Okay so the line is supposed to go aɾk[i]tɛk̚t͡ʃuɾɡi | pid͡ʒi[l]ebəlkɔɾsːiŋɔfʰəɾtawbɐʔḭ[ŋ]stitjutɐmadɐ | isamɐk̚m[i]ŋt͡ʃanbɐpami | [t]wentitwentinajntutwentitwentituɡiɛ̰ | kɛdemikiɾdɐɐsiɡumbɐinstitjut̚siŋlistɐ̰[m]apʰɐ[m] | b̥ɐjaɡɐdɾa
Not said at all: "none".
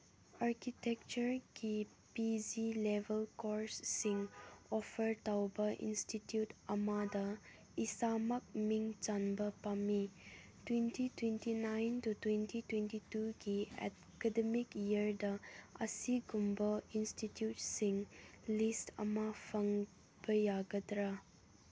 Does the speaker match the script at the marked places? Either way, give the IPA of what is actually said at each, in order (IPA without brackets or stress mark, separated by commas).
i, l, n, i, t, m, ŋ